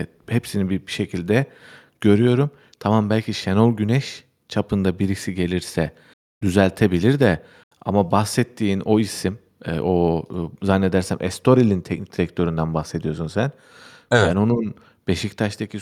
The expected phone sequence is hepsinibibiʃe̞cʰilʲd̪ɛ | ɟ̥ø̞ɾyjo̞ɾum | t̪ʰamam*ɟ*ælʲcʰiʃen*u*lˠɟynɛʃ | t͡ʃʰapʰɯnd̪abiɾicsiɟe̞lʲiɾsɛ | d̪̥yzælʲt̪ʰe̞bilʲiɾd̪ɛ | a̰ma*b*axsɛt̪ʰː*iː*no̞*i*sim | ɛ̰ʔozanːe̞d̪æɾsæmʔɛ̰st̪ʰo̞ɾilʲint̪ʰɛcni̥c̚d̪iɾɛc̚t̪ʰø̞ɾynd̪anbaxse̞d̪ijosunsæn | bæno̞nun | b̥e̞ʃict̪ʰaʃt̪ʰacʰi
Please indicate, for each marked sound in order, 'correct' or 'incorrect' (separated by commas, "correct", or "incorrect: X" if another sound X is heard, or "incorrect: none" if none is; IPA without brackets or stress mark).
incorrect: b, incorrect: o, correct, correct, correct